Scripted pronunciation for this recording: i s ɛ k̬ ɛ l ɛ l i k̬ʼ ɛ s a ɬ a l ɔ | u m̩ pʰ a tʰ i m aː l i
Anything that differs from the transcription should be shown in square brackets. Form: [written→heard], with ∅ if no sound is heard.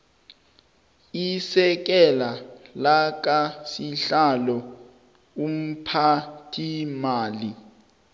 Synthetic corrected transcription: i s ɛ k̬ ɛ l [ɛ→a] l [i→a] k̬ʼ [ɛ→a] s [a→i] ɬ a l ɔ | u m̩ pʰ a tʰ i m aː l i